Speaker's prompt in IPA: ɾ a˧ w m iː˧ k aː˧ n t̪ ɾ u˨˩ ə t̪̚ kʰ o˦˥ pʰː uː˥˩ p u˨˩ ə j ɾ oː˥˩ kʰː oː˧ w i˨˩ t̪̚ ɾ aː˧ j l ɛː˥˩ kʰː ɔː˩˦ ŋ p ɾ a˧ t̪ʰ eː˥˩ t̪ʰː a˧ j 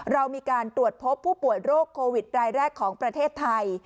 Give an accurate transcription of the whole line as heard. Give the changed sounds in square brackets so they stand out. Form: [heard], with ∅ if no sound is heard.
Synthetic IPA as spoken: ɾ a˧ w m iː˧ k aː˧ n t̪ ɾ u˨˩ ə t̪̚ [pʰ] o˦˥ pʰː uː˥˩ p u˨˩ ə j ɾ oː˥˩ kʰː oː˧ w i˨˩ t̪̚ ɾ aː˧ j [ɾ] ɛː˥˩ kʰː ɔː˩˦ ŋ p ɾ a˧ t̪ʰ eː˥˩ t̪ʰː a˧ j